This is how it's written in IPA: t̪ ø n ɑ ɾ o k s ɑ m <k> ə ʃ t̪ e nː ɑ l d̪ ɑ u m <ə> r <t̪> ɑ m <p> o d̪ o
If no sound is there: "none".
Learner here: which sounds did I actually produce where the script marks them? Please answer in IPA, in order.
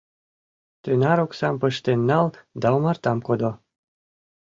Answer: p, ɑ, t̪, k

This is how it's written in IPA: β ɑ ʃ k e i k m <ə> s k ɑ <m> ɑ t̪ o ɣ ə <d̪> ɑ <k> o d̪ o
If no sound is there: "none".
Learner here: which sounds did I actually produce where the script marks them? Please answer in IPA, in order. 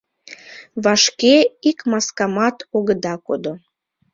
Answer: ɑ, m, d̪, k

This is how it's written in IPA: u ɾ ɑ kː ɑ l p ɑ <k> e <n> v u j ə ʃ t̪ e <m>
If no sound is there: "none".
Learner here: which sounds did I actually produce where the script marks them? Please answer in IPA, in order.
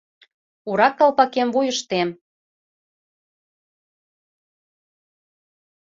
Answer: k, m, m

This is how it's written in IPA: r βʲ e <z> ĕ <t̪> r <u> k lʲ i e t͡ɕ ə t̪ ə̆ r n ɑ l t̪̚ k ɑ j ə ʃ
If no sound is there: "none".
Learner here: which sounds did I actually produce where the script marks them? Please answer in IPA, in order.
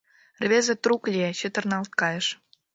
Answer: z, t̪, u

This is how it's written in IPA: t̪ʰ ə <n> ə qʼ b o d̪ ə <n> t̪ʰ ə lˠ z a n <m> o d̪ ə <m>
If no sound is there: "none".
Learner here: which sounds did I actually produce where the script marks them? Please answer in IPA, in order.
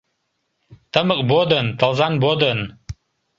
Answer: m, n, b, n

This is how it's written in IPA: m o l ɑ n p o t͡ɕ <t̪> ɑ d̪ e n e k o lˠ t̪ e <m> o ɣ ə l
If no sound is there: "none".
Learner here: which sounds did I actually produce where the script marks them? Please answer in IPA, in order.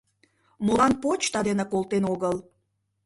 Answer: t̪, n

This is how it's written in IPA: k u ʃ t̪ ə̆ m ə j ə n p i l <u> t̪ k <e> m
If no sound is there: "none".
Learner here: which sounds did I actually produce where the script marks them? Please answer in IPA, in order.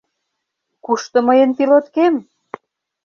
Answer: o, e

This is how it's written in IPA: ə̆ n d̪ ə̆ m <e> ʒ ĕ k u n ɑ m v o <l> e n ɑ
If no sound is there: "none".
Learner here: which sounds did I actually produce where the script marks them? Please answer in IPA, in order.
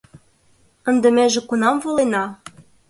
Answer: e, l

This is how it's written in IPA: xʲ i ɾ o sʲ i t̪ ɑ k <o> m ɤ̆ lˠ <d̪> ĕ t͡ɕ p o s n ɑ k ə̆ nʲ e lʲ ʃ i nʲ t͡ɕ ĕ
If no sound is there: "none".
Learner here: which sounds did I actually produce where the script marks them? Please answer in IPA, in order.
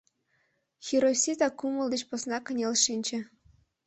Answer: u, d̪

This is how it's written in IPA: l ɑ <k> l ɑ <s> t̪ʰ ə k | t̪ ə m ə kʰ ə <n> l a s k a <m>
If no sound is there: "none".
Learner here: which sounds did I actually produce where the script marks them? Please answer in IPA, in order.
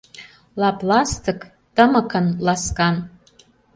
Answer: p, s, n, n

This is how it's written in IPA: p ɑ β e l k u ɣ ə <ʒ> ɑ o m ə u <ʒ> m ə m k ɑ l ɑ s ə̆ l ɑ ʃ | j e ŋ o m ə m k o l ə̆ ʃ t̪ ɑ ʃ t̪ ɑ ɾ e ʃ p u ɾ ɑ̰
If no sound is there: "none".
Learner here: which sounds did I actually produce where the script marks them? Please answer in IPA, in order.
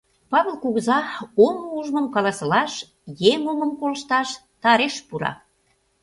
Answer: z, ʒ

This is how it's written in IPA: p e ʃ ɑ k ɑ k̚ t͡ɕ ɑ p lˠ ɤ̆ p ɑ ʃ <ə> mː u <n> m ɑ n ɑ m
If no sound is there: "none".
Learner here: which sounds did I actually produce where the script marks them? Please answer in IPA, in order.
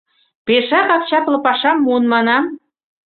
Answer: ɑ, n

